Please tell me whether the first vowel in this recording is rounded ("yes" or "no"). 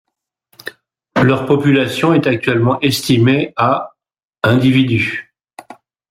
yes